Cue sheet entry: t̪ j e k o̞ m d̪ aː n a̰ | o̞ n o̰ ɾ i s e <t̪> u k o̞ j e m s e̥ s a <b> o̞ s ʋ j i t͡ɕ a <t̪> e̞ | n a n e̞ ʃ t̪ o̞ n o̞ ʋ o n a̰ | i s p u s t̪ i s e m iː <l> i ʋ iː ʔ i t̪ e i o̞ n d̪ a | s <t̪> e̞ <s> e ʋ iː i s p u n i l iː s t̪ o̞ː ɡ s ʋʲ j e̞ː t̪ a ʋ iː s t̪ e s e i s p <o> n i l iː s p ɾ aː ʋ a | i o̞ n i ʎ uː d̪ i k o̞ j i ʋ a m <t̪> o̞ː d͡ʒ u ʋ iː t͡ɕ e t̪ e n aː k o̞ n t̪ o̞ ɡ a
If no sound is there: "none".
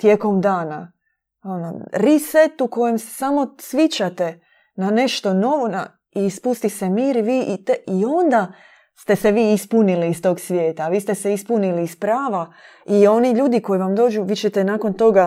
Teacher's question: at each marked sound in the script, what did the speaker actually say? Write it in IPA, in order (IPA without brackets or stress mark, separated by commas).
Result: t̪, m, t̪, ɾ, t̪, s, u, d̪